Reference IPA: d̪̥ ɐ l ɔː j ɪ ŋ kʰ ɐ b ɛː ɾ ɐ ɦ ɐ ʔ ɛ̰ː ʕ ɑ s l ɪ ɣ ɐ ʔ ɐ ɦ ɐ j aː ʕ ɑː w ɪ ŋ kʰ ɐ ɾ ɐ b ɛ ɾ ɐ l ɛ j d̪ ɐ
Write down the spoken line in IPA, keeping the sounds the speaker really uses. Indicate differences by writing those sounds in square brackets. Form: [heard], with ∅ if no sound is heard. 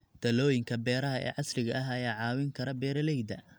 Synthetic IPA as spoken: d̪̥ ɐ l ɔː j ɪ ŋ kʰ ɐ b ɛː ɾ ɐ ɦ ɐ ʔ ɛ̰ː ʕ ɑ s l ɪ ɣ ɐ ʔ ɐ ɦ ɐ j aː ʕ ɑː w ɪ ŋ kʰ ɐ ɾ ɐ b [ɛː] ɾ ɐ l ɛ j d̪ ɐ